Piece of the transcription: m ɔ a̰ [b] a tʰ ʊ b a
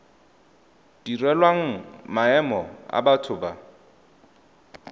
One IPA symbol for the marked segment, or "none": b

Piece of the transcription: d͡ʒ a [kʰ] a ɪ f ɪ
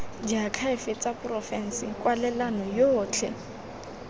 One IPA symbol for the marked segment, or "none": kʰ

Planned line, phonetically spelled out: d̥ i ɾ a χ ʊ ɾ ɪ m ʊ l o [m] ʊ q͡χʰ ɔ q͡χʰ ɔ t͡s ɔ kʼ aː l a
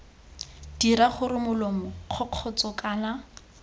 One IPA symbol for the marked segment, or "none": m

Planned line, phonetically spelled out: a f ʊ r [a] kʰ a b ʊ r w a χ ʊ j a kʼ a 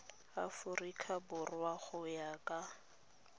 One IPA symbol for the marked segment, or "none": i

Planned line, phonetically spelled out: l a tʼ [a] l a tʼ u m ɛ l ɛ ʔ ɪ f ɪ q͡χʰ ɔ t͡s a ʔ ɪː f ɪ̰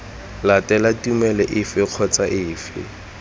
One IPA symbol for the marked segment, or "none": ɛ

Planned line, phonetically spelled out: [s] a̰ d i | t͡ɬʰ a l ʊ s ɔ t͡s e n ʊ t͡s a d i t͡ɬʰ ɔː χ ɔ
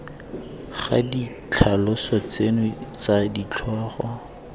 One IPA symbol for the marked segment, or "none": χ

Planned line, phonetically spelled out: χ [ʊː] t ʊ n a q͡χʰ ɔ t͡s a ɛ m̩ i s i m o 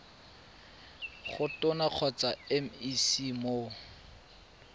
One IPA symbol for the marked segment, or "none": ʊ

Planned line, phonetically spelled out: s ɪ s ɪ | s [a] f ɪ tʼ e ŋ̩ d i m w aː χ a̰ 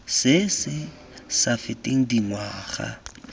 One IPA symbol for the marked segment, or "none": a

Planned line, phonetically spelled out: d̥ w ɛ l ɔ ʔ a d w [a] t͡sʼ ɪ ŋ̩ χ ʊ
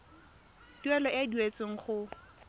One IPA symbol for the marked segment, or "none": e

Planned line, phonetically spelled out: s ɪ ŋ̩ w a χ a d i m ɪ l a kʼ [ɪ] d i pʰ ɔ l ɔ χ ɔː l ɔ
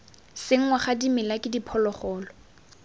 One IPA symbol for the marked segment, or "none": ɪ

